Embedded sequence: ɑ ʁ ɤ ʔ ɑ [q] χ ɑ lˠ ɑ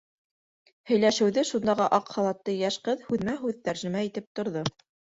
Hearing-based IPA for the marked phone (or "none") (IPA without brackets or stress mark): q